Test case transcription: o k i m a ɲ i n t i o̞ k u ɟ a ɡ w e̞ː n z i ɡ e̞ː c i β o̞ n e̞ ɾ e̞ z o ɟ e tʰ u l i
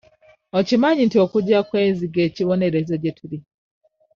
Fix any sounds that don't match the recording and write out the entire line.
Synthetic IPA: o c i m a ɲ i n t i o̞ k u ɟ a k w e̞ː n z i ɡ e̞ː c i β o̞ n e̞ ɾ e̞ z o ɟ e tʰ u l i